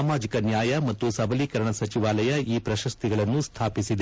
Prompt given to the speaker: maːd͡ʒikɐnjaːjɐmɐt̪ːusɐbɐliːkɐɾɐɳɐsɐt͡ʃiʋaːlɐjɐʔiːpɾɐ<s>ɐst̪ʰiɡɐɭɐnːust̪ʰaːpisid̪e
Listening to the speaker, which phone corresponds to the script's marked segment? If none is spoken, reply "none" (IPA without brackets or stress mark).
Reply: ʃ